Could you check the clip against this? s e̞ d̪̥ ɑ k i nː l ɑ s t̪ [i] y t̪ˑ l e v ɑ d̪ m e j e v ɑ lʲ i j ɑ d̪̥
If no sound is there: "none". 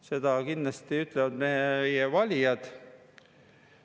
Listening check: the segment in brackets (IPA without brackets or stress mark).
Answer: i